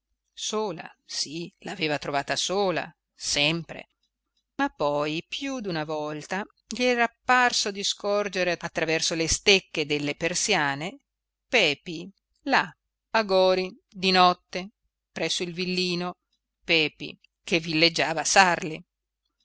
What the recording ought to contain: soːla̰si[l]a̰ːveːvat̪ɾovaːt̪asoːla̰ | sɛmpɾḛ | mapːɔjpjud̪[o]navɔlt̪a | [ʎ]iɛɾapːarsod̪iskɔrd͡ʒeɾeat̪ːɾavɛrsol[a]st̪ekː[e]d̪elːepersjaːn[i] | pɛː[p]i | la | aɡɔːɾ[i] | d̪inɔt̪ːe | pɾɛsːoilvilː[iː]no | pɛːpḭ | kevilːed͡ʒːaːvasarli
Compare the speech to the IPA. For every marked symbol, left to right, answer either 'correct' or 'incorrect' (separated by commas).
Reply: correct, incorrect, correct, incorrect, correct, incorrect, correct, correct, correct